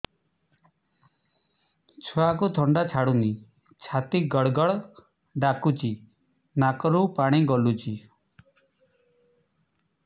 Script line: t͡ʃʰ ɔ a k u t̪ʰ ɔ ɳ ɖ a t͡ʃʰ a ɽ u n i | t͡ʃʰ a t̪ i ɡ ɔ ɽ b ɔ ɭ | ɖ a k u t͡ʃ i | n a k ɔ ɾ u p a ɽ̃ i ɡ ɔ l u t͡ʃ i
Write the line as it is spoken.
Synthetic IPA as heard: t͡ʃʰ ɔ a k u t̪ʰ ɔ ɳ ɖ a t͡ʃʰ a ɽ u n i | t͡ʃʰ a t̪ i ɡ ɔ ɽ ɡ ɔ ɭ | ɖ a k u t͡ʃ i | n a k ɔ ɾ u p a ɽ̃ i ɡ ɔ l u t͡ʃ i